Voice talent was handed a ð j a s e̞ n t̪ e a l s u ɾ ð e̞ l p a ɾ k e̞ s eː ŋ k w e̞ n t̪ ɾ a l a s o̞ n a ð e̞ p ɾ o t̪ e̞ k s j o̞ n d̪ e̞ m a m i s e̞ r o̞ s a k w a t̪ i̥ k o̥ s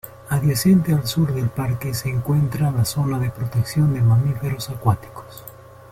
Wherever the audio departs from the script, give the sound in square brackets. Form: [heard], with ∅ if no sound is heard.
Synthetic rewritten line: a ð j a s e̞ n t̪ e a l s u ɾ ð e̞ l p a ɾ k e̞ s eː ŋ k w e̞ n t̪ ɾ a l a s o̞ n a ð e̞ p ɾ o t̪ e̞ k s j o̞ n d̪ e̞ m a m i [f] e̞ [ɾ] o̞ s a k w a t̪ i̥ k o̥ s